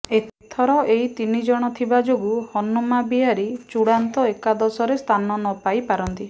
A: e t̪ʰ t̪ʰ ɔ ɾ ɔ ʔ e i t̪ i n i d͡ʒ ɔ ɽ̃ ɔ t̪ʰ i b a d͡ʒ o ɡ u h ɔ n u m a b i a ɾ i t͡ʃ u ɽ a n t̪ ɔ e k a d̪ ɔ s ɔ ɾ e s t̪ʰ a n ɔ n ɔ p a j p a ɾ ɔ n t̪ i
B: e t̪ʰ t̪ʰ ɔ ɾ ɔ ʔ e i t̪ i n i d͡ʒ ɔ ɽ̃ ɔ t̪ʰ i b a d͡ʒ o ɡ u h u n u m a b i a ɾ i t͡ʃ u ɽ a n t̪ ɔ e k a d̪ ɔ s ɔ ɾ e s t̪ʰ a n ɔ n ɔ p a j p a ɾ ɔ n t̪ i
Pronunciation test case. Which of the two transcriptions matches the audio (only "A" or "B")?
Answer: A